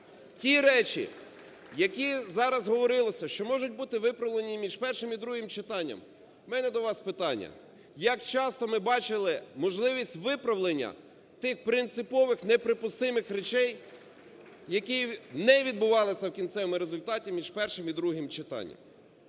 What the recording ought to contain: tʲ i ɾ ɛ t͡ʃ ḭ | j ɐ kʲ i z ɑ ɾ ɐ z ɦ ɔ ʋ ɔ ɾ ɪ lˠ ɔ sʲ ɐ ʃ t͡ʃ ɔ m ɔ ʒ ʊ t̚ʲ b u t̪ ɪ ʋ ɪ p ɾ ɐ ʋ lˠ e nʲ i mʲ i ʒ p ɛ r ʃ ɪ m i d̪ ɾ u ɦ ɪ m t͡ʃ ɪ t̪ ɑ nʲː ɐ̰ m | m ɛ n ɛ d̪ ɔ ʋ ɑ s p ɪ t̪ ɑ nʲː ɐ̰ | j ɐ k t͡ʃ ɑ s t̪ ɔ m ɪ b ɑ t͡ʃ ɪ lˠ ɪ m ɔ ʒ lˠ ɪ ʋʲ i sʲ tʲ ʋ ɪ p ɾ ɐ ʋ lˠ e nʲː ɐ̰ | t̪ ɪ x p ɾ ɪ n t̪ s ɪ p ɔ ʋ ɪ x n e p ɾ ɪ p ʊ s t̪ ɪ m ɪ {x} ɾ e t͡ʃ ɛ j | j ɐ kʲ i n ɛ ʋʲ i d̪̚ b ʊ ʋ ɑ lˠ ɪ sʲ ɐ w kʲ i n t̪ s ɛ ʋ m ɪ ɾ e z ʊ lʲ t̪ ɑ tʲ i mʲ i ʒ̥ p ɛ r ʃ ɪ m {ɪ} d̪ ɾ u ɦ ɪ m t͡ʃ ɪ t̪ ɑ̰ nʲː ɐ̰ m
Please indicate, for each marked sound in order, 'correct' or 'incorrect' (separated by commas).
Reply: correct, incorrect